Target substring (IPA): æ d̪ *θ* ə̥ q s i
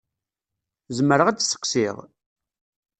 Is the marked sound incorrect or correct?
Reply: incorrect